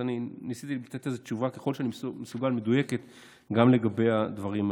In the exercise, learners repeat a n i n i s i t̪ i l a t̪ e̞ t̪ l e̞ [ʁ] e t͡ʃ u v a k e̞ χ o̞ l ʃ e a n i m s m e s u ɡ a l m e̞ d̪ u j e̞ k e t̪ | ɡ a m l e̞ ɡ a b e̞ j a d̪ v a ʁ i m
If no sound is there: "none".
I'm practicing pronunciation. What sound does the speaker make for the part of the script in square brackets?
z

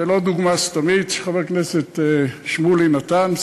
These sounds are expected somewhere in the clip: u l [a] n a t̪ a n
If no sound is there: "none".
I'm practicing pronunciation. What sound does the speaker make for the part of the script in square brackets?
i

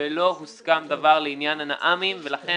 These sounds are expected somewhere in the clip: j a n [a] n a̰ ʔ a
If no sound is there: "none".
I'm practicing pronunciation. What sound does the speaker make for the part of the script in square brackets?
a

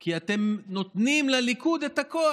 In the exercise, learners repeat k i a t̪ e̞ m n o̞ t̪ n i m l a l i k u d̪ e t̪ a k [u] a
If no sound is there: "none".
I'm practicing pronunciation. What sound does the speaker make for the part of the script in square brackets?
o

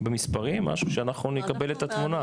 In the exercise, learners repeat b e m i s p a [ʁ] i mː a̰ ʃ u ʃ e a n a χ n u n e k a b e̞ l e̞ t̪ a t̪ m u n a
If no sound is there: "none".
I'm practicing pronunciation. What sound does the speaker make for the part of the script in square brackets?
ʁ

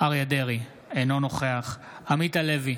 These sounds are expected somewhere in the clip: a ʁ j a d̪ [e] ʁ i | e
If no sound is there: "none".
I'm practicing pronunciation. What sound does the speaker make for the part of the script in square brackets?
e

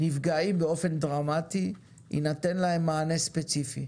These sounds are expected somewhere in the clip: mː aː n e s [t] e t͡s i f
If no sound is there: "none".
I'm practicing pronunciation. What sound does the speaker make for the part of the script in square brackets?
p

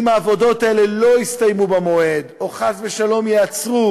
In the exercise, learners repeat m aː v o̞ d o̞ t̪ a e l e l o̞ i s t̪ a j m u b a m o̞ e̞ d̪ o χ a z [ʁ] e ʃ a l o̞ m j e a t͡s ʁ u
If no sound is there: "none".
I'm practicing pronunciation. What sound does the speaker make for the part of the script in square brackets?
v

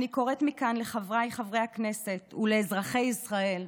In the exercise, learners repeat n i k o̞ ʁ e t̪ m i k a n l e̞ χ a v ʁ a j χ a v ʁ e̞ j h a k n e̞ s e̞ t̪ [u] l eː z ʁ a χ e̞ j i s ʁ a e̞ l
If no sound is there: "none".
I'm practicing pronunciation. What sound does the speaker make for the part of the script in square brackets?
u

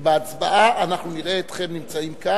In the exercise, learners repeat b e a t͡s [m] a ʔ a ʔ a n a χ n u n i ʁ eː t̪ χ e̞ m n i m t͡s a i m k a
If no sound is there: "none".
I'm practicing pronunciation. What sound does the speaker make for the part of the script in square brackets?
b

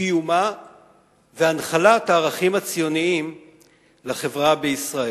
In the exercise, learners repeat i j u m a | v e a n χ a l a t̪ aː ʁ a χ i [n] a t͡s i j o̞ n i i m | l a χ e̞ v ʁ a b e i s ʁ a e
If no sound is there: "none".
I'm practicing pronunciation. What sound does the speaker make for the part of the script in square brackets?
m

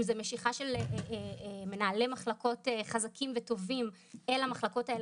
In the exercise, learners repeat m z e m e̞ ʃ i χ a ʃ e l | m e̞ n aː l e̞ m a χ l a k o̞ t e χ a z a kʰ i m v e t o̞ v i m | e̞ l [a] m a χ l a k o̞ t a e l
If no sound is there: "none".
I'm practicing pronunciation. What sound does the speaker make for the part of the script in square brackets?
a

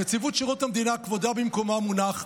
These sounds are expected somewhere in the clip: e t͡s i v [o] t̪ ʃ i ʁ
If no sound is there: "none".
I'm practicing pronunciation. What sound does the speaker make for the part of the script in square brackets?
u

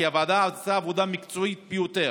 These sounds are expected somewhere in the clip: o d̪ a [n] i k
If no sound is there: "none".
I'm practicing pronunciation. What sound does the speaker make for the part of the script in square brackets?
m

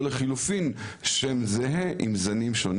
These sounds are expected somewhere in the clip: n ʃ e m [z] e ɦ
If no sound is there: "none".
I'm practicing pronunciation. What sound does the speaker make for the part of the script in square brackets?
z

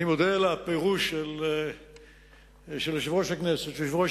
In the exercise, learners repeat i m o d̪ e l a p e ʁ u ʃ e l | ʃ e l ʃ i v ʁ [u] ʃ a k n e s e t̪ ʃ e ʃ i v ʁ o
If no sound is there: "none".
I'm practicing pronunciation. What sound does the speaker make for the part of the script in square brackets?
o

